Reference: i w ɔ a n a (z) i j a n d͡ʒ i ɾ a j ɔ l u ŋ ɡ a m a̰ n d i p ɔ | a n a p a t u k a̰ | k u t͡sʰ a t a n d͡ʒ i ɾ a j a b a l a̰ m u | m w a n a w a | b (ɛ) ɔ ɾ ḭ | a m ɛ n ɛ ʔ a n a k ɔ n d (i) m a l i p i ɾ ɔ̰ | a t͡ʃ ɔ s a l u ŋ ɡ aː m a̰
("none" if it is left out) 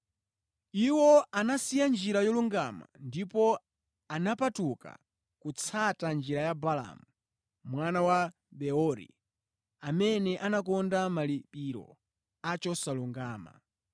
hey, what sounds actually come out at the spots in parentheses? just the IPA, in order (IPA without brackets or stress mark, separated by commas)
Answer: s, ɛ, a